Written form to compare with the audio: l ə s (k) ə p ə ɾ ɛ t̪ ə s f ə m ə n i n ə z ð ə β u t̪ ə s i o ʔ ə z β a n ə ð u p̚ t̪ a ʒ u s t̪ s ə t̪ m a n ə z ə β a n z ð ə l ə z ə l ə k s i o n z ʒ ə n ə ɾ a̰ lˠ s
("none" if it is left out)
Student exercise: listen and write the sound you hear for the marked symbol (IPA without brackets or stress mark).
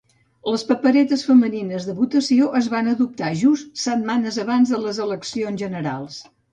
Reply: p